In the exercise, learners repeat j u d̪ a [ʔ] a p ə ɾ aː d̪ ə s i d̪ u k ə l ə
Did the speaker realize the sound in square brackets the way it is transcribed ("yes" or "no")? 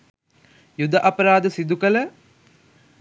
yes